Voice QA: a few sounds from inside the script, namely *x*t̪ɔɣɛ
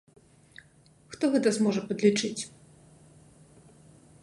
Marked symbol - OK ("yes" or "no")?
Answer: yes